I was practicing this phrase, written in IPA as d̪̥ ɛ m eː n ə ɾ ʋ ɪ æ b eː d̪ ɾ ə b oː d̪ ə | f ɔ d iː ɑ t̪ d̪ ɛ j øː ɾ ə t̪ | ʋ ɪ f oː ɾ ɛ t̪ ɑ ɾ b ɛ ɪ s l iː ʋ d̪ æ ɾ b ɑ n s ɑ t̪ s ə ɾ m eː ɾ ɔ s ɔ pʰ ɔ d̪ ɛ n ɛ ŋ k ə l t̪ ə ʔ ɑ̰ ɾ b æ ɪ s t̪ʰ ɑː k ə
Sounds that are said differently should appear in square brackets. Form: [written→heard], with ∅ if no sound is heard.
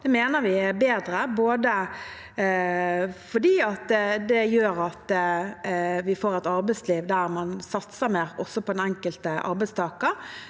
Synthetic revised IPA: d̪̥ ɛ m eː n ə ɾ ʋ ɪ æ b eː d̪ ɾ ə b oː d̪ ə | f ɔ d iː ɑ t̪ d̪ ɛ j øː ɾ [ə→ɑ] t̪ | ʋ ɪ f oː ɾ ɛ t̪ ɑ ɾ b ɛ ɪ s l iː ʋ d̪ æ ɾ [b→m] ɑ n s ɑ t̪ s ə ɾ m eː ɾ ɔ s ɔ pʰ ɔ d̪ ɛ n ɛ ŋ k ə l t̪ ə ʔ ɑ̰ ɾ b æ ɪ s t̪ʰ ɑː k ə